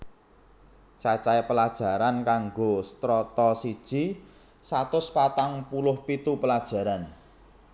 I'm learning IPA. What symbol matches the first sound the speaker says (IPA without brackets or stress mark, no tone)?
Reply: t͡ʃ